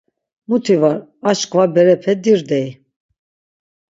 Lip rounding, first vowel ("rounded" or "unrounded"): rounded